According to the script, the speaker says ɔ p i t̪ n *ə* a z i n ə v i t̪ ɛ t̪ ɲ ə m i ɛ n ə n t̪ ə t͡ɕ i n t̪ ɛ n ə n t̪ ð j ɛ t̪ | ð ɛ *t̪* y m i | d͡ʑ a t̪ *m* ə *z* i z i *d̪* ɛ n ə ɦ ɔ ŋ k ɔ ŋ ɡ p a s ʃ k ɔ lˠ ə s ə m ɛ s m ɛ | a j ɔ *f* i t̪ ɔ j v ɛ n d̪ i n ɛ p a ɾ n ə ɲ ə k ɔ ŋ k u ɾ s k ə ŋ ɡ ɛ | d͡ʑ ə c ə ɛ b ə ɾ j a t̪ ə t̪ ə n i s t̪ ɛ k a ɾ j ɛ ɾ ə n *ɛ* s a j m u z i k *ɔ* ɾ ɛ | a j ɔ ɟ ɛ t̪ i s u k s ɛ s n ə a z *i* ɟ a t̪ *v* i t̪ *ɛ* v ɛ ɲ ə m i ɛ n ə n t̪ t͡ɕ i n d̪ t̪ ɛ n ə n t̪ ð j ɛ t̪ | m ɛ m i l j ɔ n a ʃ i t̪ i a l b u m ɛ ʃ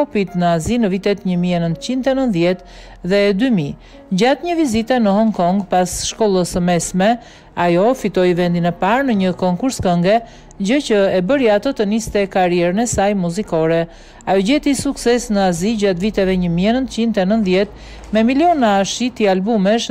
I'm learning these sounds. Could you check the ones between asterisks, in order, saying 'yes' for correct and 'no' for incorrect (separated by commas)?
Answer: yes, no, no, no, no, yes, yes, yes, yes, yes, yes